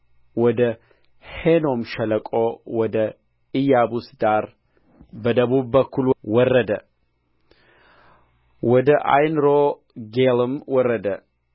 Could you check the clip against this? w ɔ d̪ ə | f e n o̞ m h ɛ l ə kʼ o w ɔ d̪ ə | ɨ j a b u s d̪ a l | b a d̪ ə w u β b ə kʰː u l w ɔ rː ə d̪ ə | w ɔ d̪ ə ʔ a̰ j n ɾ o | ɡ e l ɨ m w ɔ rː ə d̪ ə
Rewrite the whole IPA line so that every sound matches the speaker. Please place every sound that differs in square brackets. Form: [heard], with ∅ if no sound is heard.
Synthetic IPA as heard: w ɔ d̪ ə | [h] e n o̞ m [ʃ] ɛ l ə kʼ o w ɔ d̪ ə | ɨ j a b u s d̪ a [ɾ] | b [ə] d̪ ə [β] u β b ə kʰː u l w ɔ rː ə d̪ ə | w ɔ d̪ ə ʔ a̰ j n ɾ o | ɡ e l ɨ m w ɔ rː ə d̪ ə